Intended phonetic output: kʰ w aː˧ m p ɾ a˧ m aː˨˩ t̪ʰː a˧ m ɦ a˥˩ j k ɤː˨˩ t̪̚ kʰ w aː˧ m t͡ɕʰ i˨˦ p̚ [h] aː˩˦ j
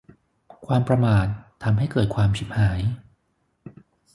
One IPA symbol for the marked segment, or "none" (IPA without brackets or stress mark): h